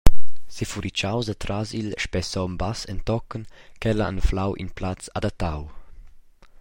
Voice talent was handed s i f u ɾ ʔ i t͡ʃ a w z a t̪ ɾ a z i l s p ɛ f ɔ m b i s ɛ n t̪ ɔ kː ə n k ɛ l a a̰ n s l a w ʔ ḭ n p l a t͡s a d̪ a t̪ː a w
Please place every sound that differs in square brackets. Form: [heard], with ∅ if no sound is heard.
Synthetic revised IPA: s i f u ɾ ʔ i t͡ʃ a w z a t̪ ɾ a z i l [ʃ] p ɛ [s] ɔ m b [a] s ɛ n t̪ ɔ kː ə n k ɛ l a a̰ n [f] l a w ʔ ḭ n p l a t͡s a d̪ a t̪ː a w